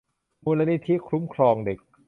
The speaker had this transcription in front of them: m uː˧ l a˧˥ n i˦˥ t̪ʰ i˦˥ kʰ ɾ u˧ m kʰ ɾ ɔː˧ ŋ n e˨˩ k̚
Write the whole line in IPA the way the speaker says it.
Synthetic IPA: m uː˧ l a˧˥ n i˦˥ t̪ʰ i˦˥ kʰ ɾ u˦˥ m kʰ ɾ ɔː˧ ŋ d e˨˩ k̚